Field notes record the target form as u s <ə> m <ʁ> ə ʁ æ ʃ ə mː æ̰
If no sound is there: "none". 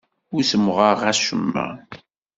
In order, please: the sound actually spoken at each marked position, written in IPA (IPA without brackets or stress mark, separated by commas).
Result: ə, ʁ